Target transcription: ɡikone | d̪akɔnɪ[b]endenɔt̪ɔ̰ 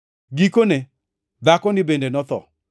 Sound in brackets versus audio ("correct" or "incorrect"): correct